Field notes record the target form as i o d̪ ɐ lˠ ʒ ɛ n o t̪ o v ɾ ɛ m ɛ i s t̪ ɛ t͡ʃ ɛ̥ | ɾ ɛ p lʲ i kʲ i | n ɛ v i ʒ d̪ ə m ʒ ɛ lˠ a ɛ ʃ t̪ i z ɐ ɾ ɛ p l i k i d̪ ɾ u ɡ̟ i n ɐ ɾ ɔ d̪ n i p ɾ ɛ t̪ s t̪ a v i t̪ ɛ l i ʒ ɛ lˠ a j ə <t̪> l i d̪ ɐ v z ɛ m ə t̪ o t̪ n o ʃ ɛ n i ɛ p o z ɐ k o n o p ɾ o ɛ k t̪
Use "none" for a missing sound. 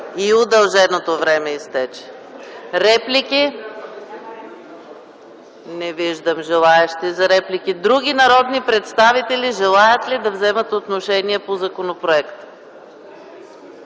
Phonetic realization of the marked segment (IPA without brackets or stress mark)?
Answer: t̪